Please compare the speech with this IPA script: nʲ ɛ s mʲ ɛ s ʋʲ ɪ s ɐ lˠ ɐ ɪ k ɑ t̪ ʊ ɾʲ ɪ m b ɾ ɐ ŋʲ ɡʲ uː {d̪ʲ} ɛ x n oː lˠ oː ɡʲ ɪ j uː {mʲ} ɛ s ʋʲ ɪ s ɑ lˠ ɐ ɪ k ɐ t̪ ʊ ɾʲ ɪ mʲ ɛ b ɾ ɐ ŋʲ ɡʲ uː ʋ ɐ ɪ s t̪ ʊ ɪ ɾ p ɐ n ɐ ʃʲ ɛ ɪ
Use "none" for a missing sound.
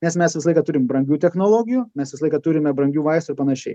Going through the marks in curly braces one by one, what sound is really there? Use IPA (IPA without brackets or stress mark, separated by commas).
t̪ʲ, mʲ